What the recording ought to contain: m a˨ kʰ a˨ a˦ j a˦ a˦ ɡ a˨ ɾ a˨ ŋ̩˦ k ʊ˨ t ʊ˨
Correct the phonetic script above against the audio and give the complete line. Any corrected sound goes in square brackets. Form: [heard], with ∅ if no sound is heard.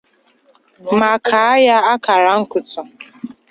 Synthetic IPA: m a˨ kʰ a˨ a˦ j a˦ a˦ [k] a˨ ɾ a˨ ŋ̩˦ k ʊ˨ t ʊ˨